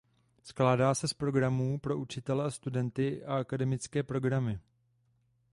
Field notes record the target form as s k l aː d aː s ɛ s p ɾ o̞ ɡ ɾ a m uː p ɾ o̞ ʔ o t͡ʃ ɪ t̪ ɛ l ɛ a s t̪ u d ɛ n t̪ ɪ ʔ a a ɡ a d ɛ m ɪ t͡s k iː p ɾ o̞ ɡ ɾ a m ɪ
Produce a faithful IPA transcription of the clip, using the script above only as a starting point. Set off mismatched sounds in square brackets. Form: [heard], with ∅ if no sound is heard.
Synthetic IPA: s k l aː d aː s ɛ s p ɾ o̞ ɡ ɾ a m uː p ɾ o̞ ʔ [u] t͡ʃ ɪ t̪ ɛ l ɛ a s t̪ u d ɛ n t̪ ɪ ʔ a a [k] a d ɛ m ɪ t͡s k [ɛː] p ɾ o̞ ɡ ɾ a m ɪ